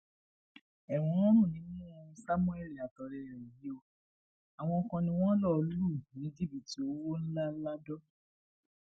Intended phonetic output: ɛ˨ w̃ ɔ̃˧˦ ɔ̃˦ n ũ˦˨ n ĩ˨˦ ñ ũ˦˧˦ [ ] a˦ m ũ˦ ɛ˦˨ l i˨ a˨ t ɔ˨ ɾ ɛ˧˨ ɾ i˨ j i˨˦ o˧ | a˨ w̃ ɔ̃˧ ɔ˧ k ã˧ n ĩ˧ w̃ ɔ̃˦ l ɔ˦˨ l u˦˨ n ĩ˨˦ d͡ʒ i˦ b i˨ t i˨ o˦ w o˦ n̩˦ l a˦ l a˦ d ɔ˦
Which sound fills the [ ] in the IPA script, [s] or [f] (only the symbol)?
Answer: s